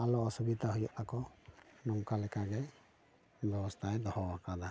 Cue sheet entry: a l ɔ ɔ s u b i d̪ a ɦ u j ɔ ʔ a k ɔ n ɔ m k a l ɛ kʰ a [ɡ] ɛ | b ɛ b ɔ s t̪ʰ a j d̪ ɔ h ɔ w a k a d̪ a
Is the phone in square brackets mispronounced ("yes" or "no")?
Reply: no